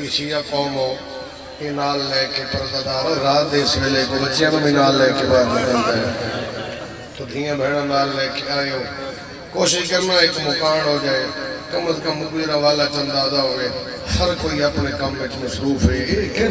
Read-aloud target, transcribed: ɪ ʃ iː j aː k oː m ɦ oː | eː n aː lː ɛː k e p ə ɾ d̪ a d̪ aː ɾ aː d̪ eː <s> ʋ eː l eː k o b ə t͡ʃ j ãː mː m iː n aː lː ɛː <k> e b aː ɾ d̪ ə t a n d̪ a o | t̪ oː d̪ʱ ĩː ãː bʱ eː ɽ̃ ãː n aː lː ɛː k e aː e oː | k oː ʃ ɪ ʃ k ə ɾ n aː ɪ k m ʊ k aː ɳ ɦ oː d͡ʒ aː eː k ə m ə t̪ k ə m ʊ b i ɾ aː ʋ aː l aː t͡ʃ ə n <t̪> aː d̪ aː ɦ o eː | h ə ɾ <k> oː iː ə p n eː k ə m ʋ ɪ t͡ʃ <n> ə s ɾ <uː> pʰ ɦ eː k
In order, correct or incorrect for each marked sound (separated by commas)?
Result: correct, correct, incorrect, correct, incorrect, correct